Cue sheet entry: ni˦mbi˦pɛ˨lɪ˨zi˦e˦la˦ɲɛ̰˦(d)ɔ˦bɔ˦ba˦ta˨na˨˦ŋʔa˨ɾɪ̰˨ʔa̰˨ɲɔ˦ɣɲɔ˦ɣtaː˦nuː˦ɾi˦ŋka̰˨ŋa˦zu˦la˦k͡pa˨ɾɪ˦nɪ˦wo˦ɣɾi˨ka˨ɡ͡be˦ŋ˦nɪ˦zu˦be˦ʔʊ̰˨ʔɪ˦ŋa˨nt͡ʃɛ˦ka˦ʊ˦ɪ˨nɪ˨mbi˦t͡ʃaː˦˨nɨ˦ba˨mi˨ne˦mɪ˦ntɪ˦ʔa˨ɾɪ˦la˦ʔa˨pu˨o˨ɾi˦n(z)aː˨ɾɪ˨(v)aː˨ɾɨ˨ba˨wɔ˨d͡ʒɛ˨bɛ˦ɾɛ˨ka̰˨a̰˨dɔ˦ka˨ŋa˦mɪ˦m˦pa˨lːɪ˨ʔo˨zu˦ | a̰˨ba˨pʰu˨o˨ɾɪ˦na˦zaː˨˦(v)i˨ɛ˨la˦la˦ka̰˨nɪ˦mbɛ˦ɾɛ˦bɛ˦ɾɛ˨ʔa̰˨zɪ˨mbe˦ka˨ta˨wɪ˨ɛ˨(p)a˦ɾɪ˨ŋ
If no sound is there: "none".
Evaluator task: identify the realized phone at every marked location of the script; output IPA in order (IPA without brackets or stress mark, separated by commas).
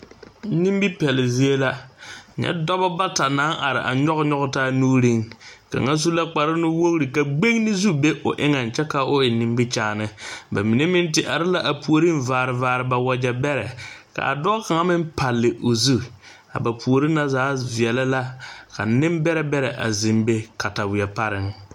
d, v, v, v, p